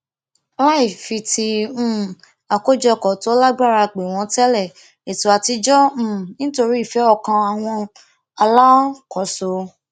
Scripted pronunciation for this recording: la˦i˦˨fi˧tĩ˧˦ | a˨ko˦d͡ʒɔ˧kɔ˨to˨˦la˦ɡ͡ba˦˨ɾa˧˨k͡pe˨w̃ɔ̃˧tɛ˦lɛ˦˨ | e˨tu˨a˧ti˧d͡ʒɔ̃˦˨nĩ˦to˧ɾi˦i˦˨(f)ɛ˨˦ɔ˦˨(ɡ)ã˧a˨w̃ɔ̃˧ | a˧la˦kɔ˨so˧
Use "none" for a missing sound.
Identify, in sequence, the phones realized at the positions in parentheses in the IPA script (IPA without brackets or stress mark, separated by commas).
f, k